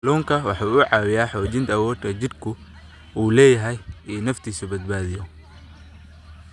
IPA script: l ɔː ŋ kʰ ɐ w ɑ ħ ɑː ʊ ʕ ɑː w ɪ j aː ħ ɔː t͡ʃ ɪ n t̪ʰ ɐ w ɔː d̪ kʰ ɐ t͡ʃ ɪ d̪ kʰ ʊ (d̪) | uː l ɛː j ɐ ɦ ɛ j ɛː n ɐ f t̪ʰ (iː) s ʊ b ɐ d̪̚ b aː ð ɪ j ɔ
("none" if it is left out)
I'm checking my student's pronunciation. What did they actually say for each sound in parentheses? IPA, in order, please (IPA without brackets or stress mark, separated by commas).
none, iː